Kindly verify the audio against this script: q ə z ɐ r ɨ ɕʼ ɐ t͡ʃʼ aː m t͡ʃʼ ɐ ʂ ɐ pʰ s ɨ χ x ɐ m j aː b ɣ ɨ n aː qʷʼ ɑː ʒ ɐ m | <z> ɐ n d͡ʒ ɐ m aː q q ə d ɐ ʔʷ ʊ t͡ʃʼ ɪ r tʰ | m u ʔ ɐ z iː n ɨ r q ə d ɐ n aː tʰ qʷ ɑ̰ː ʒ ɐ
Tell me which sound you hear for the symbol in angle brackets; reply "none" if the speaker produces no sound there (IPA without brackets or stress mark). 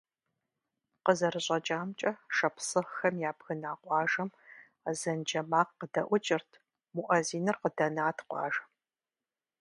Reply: z